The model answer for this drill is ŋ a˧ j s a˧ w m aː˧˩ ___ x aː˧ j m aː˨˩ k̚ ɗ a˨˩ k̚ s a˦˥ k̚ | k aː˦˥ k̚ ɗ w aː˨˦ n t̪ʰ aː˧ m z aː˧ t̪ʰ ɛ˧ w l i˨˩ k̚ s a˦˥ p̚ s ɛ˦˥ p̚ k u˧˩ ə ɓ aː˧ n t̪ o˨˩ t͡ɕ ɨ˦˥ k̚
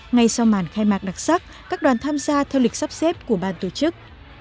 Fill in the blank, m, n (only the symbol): n